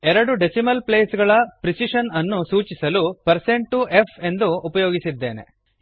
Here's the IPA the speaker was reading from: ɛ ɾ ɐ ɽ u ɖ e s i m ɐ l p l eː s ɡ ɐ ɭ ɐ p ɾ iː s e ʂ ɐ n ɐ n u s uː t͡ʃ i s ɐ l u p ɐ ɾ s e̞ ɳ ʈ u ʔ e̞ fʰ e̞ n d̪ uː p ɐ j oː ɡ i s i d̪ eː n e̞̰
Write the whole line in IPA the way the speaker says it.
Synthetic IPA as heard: ɛ ɾ ɐ ɽ u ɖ e s i m ɐ l p l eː s ɡ ɐ ɭ ɐ p ɾ i s i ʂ ɐ n ɐ nː u s uː t͡ʃ i s ɐ l u p ɐ ɾ s e̞ ɳ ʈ u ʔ e̞ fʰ e̞ n d̪ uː p ɐ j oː ɡ i s i d̪ː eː n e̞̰